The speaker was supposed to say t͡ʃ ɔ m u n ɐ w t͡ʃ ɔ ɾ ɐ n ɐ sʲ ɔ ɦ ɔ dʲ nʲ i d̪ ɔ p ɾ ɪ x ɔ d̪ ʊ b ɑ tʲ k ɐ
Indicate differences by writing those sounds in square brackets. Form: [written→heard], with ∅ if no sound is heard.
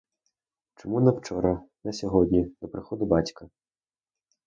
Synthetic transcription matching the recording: t͡ʃ ɔ m u n ɐ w t͡ʃ ɔ ɾ ɐ n ɐ sʲ ɔ ɦ ɔ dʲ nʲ i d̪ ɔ p ɾ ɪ x ɔ d̪ ʊ b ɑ tʲ k ɐ